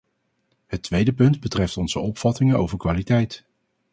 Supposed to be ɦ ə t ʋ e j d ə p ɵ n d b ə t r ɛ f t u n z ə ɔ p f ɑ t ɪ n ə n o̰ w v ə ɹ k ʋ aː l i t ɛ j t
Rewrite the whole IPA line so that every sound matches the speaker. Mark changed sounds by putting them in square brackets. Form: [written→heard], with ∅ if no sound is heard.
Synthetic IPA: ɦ ə t ʋ e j d ə p ɵ n d b ə t r ɛ f t [u→ɔ] n z ə ɔ p f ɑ t ɪ [n→ŋ] ə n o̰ w v ə ɹ k ʋ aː l i t ɛ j t